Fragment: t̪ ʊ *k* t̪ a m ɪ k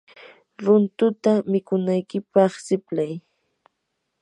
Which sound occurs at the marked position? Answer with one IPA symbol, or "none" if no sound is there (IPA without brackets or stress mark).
none